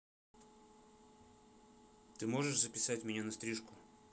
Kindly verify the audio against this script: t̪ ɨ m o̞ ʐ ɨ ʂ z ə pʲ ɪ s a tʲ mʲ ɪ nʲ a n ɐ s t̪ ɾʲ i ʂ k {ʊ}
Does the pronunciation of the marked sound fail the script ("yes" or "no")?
no